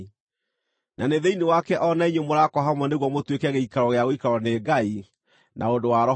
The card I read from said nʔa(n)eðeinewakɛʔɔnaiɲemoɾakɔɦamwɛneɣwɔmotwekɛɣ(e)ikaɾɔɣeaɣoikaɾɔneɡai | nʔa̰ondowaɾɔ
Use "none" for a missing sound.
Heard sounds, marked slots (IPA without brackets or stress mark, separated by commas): n, e